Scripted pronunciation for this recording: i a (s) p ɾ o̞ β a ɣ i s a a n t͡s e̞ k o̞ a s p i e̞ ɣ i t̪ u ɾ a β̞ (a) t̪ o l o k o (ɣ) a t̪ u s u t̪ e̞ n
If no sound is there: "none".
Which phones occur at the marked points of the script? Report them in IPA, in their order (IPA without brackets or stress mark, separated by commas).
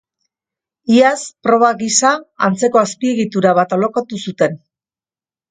s, a, none